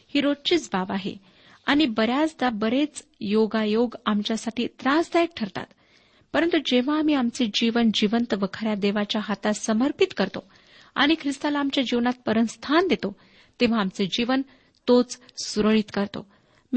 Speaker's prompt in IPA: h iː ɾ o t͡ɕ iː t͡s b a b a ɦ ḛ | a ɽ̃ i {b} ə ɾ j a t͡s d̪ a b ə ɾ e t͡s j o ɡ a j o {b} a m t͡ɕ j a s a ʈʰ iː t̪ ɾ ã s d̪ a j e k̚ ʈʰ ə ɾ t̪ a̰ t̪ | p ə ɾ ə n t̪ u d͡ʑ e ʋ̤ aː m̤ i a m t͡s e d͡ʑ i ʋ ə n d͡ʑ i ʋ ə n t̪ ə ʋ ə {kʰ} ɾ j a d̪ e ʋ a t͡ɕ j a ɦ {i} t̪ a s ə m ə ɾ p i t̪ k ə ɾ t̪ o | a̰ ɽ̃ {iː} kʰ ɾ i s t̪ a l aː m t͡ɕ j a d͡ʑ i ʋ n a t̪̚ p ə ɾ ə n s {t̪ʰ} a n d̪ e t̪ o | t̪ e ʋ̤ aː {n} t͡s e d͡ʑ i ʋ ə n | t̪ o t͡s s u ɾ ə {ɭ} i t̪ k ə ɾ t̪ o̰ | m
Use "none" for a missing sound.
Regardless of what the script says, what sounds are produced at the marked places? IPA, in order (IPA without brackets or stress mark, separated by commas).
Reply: b, ɡ, kʰ, a, i, t̪ʰ, m, ɭ